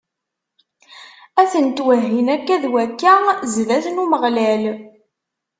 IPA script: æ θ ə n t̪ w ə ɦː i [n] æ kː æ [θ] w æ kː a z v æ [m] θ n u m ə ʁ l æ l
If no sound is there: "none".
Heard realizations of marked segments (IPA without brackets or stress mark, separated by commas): n, ð, none